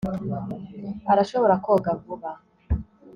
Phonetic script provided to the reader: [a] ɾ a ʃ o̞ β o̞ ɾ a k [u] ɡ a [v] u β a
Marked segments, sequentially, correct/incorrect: correct, incorrect, correct

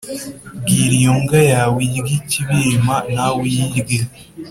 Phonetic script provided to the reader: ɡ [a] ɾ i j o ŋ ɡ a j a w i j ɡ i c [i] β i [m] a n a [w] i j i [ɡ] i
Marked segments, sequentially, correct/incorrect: incorrect, correct, correct, correct, correct

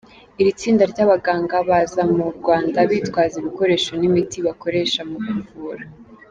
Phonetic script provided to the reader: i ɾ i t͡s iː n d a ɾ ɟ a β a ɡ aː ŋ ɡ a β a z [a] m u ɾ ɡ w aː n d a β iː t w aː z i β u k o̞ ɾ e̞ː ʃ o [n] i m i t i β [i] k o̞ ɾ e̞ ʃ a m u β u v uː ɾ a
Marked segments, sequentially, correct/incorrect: correct, correct, incorrect

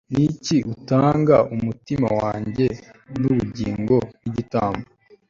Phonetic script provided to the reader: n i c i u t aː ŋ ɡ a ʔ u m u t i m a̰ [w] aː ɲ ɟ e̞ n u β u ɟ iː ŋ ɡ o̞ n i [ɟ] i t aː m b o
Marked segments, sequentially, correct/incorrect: correct, correct

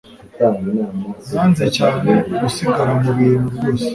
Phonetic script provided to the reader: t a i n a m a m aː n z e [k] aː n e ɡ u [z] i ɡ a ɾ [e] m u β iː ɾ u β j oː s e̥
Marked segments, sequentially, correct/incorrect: incorrect, incorrect, incorrect

